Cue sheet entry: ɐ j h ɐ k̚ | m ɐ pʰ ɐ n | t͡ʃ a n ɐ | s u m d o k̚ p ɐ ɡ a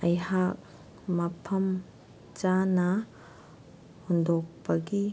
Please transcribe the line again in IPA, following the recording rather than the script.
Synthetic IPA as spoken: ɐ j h a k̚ | m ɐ pʰ ɐ m | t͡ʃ a n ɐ | h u n d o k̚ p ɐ ɡ i